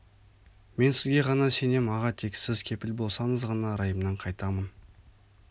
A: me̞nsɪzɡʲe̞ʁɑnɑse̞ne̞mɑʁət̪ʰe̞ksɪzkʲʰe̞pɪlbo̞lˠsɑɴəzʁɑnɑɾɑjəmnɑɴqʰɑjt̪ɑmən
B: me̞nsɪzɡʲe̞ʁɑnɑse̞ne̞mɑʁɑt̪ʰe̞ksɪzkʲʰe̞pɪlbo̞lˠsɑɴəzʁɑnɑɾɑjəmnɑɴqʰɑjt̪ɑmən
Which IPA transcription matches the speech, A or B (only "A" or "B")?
B